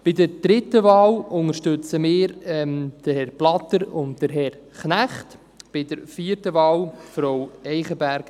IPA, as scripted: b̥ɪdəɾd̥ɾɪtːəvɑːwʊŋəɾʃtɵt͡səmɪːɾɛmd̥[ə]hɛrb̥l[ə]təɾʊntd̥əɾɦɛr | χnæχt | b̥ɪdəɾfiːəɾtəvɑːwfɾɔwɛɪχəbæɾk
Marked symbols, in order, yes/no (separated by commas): yes, no